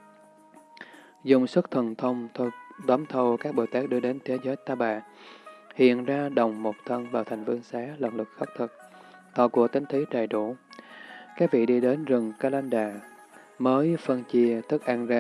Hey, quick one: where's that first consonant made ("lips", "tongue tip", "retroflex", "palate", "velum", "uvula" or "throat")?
tongue tip